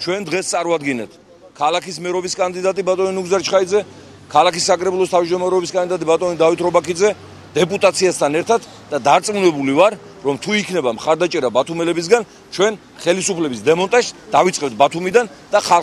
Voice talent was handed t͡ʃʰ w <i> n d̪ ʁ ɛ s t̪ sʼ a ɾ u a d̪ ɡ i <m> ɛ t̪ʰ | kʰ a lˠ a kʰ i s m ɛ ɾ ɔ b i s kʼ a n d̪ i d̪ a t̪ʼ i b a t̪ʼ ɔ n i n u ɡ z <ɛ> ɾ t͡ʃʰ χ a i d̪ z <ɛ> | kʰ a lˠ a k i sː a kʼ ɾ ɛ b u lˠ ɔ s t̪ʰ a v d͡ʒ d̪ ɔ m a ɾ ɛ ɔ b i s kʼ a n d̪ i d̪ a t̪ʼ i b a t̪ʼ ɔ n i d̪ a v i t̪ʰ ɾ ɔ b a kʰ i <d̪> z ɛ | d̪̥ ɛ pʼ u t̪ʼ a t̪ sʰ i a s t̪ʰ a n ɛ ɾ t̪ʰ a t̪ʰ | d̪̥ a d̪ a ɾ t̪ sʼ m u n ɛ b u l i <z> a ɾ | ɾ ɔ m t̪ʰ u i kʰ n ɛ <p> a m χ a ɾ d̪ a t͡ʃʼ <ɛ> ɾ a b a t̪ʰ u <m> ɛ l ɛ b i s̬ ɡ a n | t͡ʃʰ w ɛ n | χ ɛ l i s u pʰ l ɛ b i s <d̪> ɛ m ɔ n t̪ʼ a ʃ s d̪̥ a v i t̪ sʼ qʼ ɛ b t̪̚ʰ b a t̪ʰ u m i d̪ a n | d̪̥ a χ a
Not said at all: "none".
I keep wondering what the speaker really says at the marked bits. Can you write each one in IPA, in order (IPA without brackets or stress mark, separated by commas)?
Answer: ɛ, n, a, ɛ, d̪, v, b, ɛ, m, d̪